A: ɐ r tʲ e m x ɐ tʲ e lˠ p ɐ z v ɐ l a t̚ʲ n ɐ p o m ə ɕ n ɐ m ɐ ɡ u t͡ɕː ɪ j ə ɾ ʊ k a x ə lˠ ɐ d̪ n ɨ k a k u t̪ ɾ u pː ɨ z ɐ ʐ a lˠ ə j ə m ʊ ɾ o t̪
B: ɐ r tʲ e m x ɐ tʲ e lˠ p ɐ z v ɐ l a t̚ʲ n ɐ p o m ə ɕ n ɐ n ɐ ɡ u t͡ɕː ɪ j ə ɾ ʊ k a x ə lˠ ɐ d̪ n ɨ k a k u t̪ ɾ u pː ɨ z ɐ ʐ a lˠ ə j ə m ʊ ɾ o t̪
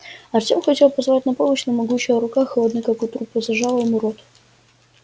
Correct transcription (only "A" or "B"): A